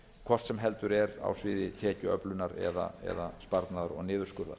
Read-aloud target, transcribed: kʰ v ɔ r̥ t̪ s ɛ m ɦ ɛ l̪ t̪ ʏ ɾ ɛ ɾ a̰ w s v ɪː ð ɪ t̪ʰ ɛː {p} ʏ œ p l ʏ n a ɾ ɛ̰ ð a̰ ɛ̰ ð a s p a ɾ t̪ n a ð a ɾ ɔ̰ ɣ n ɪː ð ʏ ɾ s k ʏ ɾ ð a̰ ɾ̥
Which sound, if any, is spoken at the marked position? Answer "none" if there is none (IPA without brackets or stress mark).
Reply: c